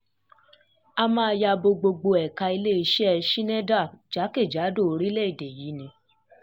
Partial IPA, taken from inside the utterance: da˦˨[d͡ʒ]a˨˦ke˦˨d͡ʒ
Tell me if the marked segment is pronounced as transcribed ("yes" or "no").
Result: yes